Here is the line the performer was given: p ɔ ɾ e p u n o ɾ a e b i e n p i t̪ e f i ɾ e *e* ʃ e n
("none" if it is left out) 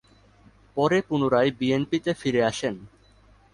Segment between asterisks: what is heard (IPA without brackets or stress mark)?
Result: a